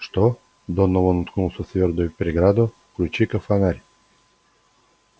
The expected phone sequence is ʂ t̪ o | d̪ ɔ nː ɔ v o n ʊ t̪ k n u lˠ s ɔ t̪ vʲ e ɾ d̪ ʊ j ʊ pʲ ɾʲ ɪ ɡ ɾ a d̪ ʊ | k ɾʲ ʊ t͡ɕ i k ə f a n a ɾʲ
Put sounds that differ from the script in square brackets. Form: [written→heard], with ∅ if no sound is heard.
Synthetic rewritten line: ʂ t̪ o | d̪ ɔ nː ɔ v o n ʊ t̪ k n u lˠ s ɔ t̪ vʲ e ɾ d̪ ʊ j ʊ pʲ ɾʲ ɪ ɡ ɾ a d̪ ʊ | k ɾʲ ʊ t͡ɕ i k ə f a n a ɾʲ